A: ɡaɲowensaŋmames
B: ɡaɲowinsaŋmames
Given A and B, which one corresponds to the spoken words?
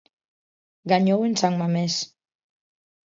A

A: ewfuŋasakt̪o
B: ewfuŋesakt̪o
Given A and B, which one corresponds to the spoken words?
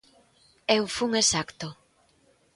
B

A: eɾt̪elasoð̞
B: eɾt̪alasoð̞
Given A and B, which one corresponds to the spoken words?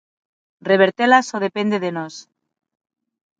A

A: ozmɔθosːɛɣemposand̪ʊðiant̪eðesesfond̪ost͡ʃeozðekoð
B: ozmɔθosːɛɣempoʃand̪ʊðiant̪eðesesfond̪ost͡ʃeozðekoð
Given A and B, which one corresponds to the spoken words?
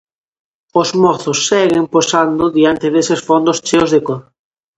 A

